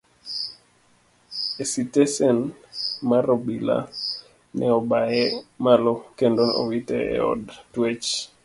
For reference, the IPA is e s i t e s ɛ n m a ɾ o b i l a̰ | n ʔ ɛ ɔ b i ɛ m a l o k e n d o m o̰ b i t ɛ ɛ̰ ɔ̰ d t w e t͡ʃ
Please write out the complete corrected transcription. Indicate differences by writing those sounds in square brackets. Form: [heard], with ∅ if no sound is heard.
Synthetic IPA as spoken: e s i t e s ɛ n m a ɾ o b i l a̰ | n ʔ ɛ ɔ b [a] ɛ m a l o k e n d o [n] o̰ [w] i t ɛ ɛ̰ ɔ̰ d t w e t͡ʃ